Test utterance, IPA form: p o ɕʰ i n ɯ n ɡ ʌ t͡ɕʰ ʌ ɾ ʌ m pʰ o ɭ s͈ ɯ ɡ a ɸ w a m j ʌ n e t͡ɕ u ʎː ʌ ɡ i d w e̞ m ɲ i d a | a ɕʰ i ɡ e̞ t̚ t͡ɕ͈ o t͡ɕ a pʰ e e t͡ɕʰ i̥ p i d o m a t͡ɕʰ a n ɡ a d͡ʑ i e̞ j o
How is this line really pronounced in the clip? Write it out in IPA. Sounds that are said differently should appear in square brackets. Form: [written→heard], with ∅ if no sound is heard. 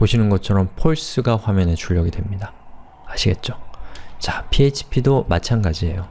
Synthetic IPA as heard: p o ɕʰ i n ɯ n ɡ ʌ t͡ɕʰ ʌ ɾ ʌ m pʰ o ɭ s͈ ɯ ɡ a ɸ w a m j ʌ n e t͡ɕ u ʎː ʌ ɡ i d w e̞ m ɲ i d a | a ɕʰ i ɡ e̞ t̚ t͡ɕ͈ o t͡ɕ a pʰ [e→i] e t͡ɕʰ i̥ [p→pʰ] i d o m a t͡ɕʰ a n ɡ a d͡ʑ i e̞ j o